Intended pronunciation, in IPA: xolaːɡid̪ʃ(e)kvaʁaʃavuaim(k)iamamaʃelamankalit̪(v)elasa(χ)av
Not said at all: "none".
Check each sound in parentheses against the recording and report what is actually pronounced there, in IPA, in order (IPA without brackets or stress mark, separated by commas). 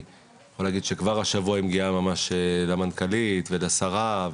e, ɡ, v, ʁ